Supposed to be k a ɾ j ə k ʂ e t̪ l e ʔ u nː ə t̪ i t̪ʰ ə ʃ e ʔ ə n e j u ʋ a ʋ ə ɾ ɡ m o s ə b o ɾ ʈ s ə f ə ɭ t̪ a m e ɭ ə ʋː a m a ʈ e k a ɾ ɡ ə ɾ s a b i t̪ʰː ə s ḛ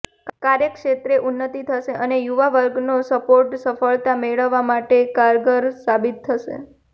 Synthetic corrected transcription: k a ɾ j ə k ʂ e t̪ ɾ e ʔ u nː ə t̪ i t̪ʰ ə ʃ e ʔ ə n e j u ʋ a ʋ ə ɾ ɡ n o s ə p o ɾ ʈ s ə f ə ɭ t̪ a m e ɭ ə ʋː a m a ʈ e k a ɾ ɡ ə ɾ s a b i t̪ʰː ə ʃ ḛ

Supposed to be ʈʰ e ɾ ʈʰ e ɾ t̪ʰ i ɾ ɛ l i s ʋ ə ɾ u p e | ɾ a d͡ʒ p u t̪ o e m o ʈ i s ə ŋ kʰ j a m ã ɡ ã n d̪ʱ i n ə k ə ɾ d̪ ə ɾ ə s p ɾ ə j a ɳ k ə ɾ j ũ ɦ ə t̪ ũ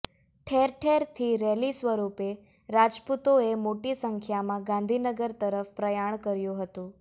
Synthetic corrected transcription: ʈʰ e ɾ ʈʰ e ɾ t̪ʰ i ɾ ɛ l i s ʋ ə ɾ u p e | ɾ a d͡ʒ p u t̪ o e m o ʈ i s ə ŋ kʰ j a m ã ɡ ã n d̪ʱ i n ə ɡ ə ɾ t̪ ə ɾ ə f p ɾ ə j a ɳ k ə ɾ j ũ ɦ ə t̪ ũ

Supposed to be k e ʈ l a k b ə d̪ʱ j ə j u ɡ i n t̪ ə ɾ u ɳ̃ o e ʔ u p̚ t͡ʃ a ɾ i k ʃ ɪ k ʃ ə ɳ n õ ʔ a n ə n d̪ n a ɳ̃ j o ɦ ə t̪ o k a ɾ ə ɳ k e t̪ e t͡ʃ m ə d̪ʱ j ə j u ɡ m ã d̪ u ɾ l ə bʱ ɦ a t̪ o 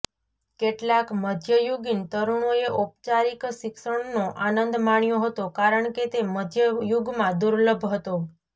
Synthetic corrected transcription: k e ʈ l a k m ə d̪ʱ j ə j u ɡ i n t̪ ə ɾ u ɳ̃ o e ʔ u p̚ t͡ʃ a ɾ i k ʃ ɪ k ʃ ə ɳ n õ ʔ a n ə n d̪ m a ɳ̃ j o ɦ ə t̪ o k a ɾ ə ɳ k e t̪ e m ə d̪ʱ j ə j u ɡ m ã d̪ u ɾ l ə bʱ ɦ ə t̪ o

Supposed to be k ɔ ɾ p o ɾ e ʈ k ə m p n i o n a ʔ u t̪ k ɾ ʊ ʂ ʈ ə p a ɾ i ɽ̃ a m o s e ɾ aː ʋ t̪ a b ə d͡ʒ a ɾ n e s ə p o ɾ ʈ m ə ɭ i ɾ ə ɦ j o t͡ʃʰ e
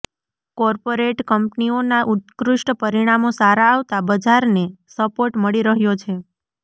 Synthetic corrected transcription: k ɔ ɾ p o ɾ e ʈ k ə m p n i o n a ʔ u t̪ k ɾ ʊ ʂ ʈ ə p ə ɾ i ɽ̃ a m o s a ɾ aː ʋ t̪ a b ə d͡ʒ a ɾ n e s ə p o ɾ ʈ m ə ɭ i ɾ ə ɦ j o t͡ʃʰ e

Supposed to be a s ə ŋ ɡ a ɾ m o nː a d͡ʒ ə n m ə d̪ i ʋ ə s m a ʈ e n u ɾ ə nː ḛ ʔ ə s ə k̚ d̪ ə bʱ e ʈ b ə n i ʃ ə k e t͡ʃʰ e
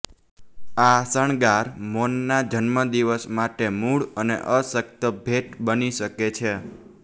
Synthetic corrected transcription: a s ə ɳ ɡ a ɾ m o nː a d͡ʒ ə n m ə d̪ i ʋ ə s m a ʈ e m u ɭ ə n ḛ ʔ ə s ə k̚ t̪ ə bʱ e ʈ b ə n i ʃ ə k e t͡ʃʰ e

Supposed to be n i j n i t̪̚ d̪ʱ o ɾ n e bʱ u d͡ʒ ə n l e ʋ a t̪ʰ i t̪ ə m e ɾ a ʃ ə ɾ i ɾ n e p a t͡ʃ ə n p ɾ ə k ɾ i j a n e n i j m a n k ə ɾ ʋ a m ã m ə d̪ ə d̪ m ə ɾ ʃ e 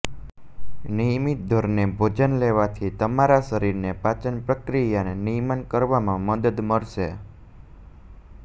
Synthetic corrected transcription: n i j m i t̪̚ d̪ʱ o ɾ n e bʱ o d͡ʒ ə n l e ʋ a t̪ʰ i t̪ ə m a ɾ a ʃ ə ɾ i ɾ n e p a t͡ʃ ə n p ɾ ə k ɾ i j a n e n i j m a n k ə ɾ ʋ a m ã m ə d̪ ə d̪ m ə ɾ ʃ e

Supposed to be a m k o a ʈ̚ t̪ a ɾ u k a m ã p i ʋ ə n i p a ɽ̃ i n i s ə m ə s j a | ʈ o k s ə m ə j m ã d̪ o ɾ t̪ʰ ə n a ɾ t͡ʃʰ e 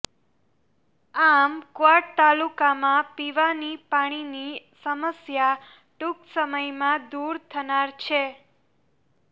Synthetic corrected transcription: a m k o a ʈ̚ t̪ a l u k a m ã p i ʋ a n i p a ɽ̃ i n i s ə m ə s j a | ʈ u k s ə m ə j m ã d̪ u ɾ t̪ʰ ə n a ɾ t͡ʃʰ e

